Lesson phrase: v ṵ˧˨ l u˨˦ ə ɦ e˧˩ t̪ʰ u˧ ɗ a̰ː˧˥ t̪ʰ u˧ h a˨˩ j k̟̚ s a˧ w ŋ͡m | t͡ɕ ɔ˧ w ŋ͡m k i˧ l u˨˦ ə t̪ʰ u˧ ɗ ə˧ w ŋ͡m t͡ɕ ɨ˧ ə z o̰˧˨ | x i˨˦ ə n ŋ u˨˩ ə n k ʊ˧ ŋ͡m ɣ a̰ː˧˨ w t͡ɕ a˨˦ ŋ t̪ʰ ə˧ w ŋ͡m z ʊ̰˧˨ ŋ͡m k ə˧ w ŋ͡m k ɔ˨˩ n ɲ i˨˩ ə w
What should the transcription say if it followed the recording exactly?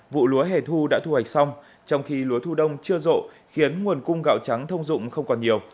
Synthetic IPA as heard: v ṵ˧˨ l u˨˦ ə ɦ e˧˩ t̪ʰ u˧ ɗ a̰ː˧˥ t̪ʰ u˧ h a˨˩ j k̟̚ s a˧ w ŋ͡m | t͡ɕ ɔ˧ w ŋ͡m x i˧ l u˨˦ ə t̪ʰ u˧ ɗ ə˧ w ŋ͡m t͡ɕ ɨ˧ ə z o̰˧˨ | x i˨˦ ə n ŋ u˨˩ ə n k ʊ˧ ŋ͡m ɣ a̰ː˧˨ w t͡ɕ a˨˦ ŋ t̪ʰ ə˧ w ŋ͡m z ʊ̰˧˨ ŋ͡m x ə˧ w ŋ͡m k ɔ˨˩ n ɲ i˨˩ ə w